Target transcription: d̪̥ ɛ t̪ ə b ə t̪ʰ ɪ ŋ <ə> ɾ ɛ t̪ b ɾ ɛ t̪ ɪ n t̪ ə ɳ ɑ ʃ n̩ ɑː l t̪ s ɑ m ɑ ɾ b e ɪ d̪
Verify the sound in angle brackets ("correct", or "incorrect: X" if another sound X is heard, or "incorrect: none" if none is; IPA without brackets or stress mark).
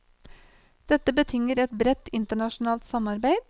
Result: correct